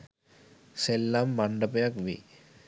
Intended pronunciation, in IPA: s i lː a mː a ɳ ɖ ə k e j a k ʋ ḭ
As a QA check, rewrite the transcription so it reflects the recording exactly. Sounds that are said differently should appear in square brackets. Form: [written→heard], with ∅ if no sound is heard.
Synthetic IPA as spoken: s [i→e] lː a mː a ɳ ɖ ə [k→p] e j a k ʋ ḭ